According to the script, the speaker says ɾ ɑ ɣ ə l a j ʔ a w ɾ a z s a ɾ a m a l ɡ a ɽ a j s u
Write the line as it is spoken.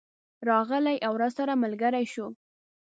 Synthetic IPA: ɾ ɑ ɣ ə l a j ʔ a w ɾ a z s a ɾ a m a l ɡ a ɾ a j ʃ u